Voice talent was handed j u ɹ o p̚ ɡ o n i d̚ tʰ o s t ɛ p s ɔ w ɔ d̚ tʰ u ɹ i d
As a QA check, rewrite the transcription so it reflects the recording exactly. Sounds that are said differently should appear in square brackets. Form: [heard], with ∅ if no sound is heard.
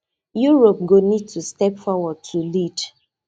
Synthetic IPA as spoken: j u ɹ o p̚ ɡ o n i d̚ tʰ [u] s t ɛ p [f] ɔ w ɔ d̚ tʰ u [l] i d